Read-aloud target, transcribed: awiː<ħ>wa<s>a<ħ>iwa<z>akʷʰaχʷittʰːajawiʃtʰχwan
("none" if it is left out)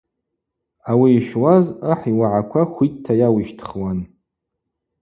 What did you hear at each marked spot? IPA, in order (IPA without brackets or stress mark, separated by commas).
ʃ, z, ħ, ʕ